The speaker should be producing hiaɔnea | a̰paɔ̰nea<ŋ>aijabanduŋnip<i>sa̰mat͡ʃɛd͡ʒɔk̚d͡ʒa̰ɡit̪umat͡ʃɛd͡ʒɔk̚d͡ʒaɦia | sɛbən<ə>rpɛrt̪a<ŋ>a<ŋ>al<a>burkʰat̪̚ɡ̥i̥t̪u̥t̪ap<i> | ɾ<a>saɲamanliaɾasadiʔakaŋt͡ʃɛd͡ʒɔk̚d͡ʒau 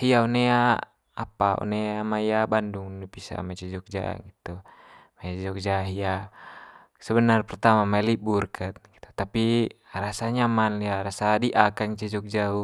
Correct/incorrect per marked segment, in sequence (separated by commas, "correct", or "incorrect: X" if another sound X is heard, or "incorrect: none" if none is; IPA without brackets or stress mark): incorrect: m, correct, incorrect: a, incorrect: m, incorrect: m, incorrect: i, correct, correct